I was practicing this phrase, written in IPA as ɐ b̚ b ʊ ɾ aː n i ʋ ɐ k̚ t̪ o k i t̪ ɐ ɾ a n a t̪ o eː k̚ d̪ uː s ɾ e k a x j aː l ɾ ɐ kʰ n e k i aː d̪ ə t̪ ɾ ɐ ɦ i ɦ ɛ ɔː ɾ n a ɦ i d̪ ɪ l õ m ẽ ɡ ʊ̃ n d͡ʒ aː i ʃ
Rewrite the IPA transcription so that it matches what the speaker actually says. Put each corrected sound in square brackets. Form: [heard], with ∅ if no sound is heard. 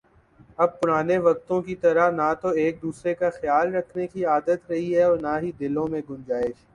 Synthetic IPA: ɐ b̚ [p] ʊ ɾ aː n [e] ʋ ɐ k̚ t̪ [õ] k i t̪ ɐ ɾ a n a t̪ o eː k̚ d̪ uː s ɾ e k a x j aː l ɾ ɐ kʰ n e k i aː d̪ ə t̪ ɾ ɐ ɦ i ɦ ɛ ɔː ɾ n a ɦ i d̪ ɪ l õ m ẽ ɡ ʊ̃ n d͡ʒ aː [ɪ] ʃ